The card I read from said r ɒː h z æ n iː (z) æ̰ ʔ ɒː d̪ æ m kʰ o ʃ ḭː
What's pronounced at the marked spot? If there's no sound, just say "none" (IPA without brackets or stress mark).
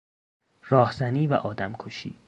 v